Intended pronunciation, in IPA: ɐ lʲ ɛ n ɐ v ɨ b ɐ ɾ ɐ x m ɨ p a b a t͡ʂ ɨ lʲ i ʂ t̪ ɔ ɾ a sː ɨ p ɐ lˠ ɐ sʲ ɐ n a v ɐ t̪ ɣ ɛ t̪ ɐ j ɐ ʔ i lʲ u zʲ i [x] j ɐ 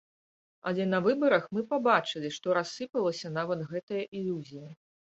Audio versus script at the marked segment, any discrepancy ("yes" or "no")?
yes